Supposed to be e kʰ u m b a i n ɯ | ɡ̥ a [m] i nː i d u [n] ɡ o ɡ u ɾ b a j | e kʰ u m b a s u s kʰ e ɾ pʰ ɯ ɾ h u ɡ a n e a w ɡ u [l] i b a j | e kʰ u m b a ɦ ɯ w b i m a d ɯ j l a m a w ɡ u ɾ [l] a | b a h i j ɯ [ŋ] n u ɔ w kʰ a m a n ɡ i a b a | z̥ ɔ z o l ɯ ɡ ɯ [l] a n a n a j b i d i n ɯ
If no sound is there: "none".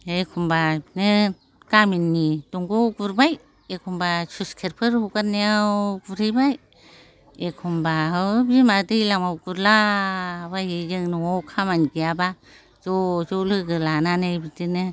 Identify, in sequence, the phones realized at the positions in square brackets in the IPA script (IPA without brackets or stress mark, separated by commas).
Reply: m, ŋ, ɾ, l, ŋ, l